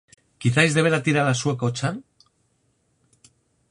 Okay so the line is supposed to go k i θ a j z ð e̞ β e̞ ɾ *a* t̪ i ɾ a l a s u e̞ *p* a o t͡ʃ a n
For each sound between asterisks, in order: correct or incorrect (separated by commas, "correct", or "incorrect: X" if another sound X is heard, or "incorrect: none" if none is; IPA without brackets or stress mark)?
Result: correct, incorrect: k